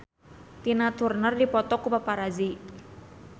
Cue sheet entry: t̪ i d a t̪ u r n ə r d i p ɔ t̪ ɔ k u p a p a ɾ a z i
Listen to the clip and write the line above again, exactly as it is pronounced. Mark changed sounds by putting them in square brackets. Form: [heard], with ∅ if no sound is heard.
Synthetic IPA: t̪ i [n] a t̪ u r n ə r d i p ɔ t̪ ɔ k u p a p a ɾ a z i